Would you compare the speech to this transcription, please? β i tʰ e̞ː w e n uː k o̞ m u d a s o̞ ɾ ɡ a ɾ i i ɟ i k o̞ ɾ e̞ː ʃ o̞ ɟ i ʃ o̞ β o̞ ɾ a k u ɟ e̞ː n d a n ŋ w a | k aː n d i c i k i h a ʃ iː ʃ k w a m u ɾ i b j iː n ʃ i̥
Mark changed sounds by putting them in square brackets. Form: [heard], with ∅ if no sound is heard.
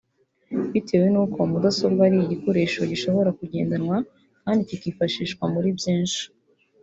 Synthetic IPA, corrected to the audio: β i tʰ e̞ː w e n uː k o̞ m u d a s o̞ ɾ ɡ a ɾ i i ɟ i k o̞ ɾ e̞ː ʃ o̞ ɟ i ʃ o̞ β o̞ ɾ a k u ɟ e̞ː n d a n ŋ w a | k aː n d i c i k i [f] a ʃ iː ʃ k w a m u ɾ i b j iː n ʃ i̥